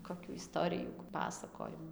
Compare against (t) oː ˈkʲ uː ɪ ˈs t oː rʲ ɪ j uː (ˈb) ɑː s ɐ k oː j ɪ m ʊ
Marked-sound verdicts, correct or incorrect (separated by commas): incorrect, incorrect